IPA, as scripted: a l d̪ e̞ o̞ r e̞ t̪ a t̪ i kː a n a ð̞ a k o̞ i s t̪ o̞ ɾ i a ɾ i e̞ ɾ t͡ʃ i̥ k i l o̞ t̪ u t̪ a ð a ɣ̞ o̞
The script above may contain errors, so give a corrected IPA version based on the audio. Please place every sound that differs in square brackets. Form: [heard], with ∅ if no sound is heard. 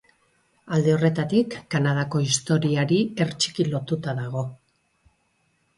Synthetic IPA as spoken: a l d̪ e̞ o̞ r e̞ t̪ a t̪ i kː a n a ð̞ a k o̞ i s t̪ o̞ ɾ i a ɾ i e̞ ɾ t͡ʃ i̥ k i l o̞ t̪ u t̪ a ð a ɣ̞ o̞

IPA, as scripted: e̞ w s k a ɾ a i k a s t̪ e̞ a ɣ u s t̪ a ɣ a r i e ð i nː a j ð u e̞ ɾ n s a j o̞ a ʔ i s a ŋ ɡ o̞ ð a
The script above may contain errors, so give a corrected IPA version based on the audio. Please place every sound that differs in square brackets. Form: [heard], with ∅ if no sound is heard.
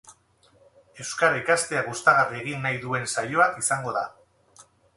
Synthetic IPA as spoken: e̞ w s k a ɾ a i k a s t̪ e̞ a ɣ u s t̪ a ɣ a r i e [ɣ] i nː a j ð u e̞ [∅] n s a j o̞ a [k] i s a ŋ ɡ o̞ ð a

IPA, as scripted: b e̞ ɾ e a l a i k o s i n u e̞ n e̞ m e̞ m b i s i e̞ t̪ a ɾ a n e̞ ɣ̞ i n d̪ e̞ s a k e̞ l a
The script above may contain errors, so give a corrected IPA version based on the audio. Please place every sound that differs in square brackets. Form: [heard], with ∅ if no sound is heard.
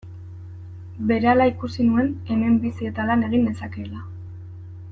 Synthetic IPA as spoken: b e̞ ɾ e a l a i k [u] s i n u e̞ n e̞ m e̞ m b i s i e̞ t̪ a [l] a n e̞ ɣ̞ i n d̪ e̞ s a k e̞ l a

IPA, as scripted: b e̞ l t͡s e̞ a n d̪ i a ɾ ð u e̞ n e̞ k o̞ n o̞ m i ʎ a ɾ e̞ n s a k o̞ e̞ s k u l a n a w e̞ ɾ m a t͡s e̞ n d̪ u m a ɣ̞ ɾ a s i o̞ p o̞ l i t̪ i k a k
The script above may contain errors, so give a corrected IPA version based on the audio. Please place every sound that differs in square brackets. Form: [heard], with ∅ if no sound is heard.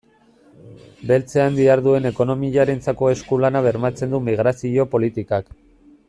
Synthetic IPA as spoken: b e̞ l t͡s e̞ a n d̪ i a ɾ ð u e̞ n e̞ k o̞ n o̞ m i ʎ a ɾ e̞ n [t͡s] a k o̞ e̞ s k u l a n a [β] e̞ ɾ m a t͡s e̞ n d̪ u m [i] ɣ̞ ɾ a s i o̞ p o̞ l i t̪ i k a k

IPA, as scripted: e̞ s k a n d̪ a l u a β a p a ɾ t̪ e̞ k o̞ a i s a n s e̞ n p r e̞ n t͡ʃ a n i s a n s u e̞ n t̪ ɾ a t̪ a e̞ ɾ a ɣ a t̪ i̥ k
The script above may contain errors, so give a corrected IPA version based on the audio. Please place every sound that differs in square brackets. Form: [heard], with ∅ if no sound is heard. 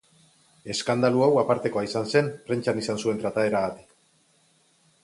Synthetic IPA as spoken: e̞ s k a n d̪ a l u a [w] a p a ɾ t̪ e̞ k o̞ a i s a n s e̞ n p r e̞ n t͡ʃ a n i s a n s u e̞ n t̪ ɾ a t̪ a e̞ ɾ a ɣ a t̪ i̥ k

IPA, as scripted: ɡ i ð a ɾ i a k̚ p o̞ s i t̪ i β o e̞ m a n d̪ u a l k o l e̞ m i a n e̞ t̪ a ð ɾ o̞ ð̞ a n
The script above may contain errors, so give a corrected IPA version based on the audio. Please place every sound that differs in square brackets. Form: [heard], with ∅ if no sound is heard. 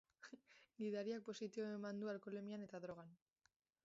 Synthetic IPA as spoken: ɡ i ð a ɾ i a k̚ p o̞ s i t̪ i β o e̞ m a n d̪ u a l k o l e̞ m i a n e̞ t̪ a ð ɾ o̞ [ɣ̞] a n

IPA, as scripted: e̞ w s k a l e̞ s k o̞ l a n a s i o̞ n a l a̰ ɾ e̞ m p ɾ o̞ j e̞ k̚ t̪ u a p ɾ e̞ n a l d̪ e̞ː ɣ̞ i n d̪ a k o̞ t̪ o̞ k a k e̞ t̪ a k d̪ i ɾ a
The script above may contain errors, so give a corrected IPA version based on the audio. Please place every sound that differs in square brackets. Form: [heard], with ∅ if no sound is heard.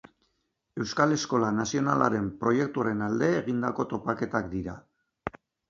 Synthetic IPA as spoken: e̞ w s k a l e̞ s k o̞ l a n a s i o̞ n a l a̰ ɾ e̞ m p ɾ o̞ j e̞ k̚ t̪ u a [∅] ɾ e̞ n a l d̪ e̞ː ɣ̞ i n d̪ a k o̞ t̪ o̞ [p] a k e̞ t̪ a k d̪ i ɾ a

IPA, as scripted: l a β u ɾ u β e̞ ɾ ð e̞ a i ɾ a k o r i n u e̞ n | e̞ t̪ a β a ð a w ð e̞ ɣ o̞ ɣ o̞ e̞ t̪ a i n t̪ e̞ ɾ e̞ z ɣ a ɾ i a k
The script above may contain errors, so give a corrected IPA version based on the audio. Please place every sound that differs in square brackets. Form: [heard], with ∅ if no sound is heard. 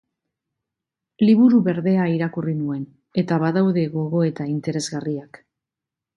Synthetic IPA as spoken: l [i] β u ɾ u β e̞ ɾ ð e̞ a i ɾ a k [u] r i n u e̞ n | e̞ t̪ a β a ð a w ð e̞ ɣ o̞ ɣ o̞ e̞ t̪ a i n t̪ e̞ ɾ e̞ z ɣ a [r] i a k

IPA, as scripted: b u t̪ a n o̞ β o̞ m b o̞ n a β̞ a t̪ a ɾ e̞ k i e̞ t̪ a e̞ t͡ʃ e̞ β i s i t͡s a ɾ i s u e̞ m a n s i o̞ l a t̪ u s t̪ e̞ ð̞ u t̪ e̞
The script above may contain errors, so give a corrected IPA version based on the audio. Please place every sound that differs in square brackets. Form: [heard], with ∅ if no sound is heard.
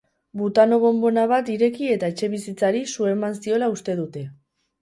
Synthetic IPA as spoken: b u t̪ a n o̞ β o̞ m b o̞ n a β̞ a t̪ [i] ɾ e̞ k i e̞ t̪ a e̞ t͡ʃ e̞ β i s i t͡s a ɾ i s u e̞ m a n s i o̞ l a [∅] u s t̪ e̞ ð̞ u t̪ e̞

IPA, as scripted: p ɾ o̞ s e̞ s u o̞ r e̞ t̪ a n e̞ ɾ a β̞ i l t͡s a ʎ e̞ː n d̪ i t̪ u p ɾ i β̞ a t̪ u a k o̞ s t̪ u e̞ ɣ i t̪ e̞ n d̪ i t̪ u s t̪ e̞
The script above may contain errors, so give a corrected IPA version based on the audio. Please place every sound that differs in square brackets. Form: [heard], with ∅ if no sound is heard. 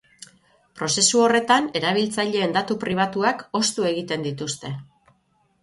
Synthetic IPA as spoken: p ɾ o̞ s e̞ s u o̞ r e̞ t̪ a n e̞ ɾ a β̞ i l t͡s a ʎ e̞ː n d̪ [a] t̪ u p ɾ i β̞ a t̪ u a k o̞ s t̪ u e̞ ɣ i t̪ e̞ n d̪ i t̪ u s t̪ e̞

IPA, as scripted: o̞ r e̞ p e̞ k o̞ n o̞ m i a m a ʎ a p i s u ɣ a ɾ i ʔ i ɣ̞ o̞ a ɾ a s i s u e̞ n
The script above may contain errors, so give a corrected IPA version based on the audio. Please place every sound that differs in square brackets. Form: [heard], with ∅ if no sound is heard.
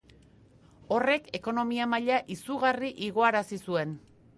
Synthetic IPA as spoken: o̞ r e̞ [k] e̞ k o̞ n o̞ m i a m a ʎ a [ʔ] i s u ɣ a [r] i ʔ i ɣ̞ o̞ a ɾ a s i s u e̞ n

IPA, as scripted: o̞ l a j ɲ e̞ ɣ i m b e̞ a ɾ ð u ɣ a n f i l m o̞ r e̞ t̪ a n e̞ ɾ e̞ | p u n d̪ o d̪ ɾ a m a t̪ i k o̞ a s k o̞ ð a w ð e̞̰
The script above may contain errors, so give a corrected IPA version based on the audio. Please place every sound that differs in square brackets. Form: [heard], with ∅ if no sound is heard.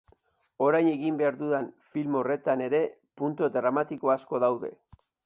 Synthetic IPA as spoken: o̞ [ɾ] a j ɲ e̞ ɣ i m b e̞ a ɾ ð u [ð] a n f i l m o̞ r e̞ t̪ a n e̞ ɾ e̞ | p u n [t̪] o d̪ ɾ a m a t̪ i k o̞ a s k o̞ ð a w ð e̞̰

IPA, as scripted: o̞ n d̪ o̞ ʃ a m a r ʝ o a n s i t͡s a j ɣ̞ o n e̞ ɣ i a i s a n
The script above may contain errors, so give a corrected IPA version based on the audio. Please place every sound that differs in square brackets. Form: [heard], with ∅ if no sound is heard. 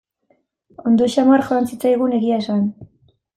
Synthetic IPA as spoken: o̞ n d̪ o̞ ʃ a m a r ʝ o a n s i t͡s a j ɣ̞ [u] n e̞ ɣ i a [e] s a n

